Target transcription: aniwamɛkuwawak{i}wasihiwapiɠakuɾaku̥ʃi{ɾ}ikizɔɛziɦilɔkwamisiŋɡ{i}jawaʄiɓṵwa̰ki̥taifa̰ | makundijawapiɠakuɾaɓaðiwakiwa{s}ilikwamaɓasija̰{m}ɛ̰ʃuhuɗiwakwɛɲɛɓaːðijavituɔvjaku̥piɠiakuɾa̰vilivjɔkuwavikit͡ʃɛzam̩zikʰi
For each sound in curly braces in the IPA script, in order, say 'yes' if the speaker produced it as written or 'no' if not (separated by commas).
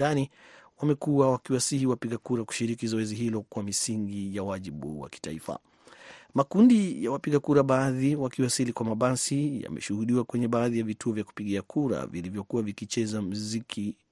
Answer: yes, yes, yes, yes, yes